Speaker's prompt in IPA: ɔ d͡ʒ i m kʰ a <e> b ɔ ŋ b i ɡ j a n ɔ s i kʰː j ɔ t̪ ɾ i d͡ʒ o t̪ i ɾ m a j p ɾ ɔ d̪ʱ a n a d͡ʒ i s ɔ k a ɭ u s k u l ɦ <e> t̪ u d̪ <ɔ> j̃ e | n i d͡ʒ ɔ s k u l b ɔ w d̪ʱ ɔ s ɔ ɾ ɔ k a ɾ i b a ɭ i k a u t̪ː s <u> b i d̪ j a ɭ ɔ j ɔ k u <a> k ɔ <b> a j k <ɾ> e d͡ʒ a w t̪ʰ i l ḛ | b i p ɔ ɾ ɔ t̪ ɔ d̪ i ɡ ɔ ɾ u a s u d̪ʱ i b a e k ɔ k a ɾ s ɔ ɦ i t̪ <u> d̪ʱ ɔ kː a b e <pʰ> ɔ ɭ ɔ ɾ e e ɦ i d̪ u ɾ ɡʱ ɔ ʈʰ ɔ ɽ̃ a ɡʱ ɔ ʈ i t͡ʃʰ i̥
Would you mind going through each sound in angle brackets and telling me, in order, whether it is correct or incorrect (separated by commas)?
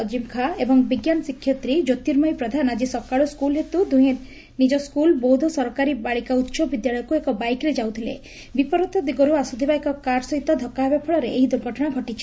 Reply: correct, correct, incorrect, incorrect, incorrect, correct, correct, incorrect, correct